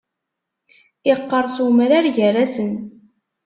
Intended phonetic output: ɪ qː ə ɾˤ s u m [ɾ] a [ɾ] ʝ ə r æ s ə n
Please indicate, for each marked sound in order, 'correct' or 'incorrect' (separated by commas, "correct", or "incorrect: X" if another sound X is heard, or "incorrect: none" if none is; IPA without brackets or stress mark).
correct, correct